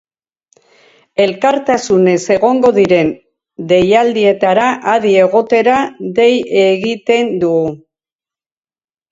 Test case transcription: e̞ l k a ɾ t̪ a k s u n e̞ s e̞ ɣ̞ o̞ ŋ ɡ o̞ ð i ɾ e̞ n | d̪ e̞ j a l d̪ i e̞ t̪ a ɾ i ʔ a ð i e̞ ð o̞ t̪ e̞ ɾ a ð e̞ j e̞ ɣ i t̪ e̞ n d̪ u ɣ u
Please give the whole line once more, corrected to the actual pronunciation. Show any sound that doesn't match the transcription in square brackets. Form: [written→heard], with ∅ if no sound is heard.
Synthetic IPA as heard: e̞ l k a ɾ t̪ a [k→∅] s u n e̞ s e̞ ɣ̞ o̞ ŋ ɡ o̞ ð i ɾ e̞ n | d̪ e̞ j a l d̪ i e̞ t̪ a ɾ [i→a] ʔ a ð i e̞ [ð→ɣ] o̞ t̪ e̞ ɾ a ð e̞ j e̞ ɣ i t̪ e̞ n d̪ u ɣ u